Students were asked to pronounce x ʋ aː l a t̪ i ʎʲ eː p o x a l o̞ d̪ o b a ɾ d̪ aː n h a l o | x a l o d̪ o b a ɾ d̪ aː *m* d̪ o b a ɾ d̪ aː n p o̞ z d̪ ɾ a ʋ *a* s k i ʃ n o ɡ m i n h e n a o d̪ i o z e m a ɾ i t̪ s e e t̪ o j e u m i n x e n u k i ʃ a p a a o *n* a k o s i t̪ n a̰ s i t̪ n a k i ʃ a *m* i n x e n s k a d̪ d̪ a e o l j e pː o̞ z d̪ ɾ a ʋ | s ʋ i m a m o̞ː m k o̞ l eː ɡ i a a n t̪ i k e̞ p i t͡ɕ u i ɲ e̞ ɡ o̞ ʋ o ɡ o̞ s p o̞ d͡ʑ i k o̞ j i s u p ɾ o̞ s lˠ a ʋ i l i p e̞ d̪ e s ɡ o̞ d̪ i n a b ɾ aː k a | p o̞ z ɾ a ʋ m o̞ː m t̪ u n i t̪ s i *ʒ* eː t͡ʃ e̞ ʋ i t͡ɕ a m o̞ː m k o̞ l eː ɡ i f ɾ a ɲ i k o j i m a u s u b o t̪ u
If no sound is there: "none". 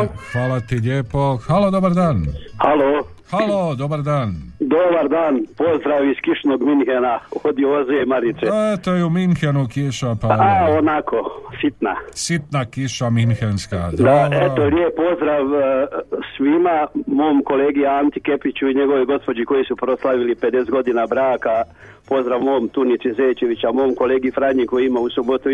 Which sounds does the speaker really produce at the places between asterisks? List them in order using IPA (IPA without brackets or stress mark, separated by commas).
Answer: n, i, n, m, z